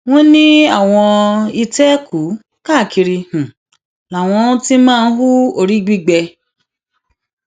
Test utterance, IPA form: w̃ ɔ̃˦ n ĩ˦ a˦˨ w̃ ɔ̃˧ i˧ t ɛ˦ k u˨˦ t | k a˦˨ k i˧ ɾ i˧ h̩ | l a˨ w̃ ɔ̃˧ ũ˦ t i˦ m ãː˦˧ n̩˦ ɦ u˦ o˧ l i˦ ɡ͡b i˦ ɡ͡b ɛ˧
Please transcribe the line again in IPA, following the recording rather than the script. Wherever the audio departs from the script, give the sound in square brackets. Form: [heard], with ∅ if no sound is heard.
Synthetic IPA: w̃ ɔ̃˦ n ĩ˦ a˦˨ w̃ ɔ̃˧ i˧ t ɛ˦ k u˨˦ [∅] | k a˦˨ k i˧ ɾ i˧ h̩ | l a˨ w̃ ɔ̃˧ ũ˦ t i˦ m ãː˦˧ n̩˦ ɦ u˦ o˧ [ɾ] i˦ ɡ͡b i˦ ɡ͡b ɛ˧